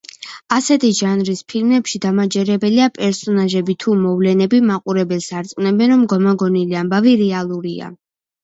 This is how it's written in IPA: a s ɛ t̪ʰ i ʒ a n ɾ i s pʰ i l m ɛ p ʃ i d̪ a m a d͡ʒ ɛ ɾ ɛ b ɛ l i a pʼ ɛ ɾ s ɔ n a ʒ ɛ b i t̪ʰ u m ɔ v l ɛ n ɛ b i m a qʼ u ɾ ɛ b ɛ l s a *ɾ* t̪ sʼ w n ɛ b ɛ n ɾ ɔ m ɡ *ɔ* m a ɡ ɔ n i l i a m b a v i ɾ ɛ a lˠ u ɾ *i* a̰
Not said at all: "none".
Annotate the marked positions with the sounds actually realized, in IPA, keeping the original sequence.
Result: ɾ, ɔ, i

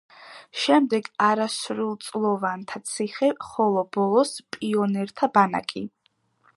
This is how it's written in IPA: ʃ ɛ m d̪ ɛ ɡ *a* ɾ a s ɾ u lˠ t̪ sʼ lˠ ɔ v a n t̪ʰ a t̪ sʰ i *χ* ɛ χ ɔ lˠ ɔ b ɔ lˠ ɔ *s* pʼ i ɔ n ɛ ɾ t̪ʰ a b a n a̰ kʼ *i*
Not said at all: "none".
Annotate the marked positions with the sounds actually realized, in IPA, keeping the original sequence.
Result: a, χ, s, i

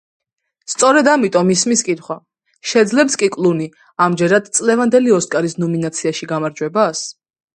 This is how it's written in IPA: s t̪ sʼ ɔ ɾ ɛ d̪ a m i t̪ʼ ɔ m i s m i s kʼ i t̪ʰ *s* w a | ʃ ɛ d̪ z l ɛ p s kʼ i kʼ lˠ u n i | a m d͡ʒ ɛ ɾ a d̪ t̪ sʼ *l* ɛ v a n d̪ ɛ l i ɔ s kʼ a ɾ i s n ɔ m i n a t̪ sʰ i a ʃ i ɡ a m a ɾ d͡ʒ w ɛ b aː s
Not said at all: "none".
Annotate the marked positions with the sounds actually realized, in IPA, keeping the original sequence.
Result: χ, l

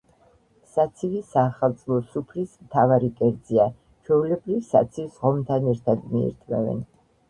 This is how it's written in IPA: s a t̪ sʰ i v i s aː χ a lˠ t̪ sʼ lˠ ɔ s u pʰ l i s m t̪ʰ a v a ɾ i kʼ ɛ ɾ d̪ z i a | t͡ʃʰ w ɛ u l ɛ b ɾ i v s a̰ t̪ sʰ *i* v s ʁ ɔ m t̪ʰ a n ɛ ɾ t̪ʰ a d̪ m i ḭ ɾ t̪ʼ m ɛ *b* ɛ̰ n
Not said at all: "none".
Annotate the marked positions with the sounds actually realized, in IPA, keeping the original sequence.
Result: i, v

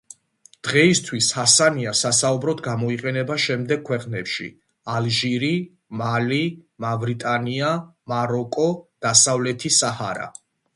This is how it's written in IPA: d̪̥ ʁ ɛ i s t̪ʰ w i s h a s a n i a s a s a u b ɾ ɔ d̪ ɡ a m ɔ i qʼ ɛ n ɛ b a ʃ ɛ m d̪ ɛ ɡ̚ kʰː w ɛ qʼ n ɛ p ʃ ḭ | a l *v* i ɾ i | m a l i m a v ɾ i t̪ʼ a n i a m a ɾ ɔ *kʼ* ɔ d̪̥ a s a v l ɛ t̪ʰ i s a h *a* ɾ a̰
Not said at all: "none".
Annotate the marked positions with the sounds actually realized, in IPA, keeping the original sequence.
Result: ʒ, kʼ, a

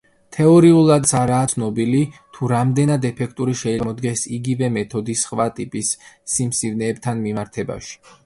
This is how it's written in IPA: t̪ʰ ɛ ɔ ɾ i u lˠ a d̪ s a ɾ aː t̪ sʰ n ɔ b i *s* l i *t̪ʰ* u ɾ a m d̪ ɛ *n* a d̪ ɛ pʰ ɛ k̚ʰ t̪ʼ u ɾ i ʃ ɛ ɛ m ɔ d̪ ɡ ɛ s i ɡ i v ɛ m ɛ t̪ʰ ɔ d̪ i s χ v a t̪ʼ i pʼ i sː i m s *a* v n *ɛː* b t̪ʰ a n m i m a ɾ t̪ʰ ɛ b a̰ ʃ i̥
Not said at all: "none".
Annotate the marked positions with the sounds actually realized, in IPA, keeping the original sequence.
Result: none, t̪ʰ, n, i, ɛː

